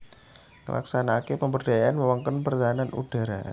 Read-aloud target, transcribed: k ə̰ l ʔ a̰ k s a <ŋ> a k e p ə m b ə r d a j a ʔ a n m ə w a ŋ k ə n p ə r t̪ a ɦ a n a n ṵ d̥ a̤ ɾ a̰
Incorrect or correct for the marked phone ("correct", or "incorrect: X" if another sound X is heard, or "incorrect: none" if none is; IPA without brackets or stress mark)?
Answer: incorrect: n